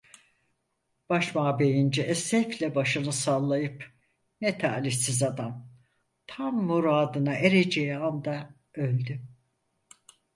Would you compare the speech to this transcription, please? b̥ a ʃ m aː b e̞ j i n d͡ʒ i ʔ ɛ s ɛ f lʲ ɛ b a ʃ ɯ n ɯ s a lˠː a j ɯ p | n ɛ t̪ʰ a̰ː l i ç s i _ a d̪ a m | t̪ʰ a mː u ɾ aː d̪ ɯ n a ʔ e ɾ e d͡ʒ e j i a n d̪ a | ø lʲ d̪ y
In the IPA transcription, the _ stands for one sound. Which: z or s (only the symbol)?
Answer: z